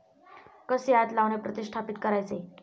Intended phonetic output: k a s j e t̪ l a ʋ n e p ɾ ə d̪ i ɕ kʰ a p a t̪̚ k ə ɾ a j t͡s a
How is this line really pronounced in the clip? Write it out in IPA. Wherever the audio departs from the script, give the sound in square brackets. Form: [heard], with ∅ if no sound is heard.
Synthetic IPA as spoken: k [ə] s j [a] t̪ l a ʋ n e p ɾ ə [t̪] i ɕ [ʈʰ] a p [i] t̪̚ k ə ɾ a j t͡s [e]